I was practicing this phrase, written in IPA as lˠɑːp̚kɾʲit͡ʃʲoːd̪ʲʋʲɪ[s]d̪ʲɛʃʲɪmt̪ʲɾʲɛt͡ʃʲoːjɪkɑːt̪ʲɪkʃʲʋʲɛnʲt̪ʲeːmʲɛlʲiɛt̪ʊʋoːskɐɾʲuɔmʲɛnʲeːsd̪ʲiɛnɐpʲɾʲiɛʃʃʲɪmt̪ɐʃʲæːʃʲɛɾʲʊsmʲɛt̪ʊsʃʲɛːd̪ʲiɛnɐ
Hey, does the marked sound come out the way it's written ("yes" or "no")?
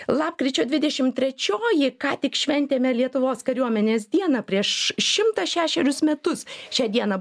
no